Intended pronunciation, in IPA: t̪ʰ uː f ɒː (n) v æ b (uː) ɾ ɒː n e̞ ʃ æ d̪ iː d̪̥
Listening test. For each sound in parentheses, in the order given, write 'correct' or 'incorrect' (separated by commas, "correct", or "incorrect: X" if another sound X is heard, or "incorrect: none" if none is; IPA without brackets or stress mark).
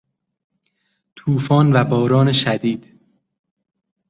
correct, incorrect: ɒː